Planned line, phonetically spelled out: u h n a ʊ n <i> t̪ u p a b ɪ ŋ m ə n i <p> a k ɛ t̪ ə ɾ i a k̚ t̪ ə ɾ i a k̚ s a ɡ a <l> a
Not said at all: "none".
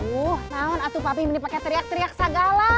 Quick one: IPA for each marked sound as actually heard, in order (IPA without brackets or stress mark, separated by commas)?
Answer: a, p, l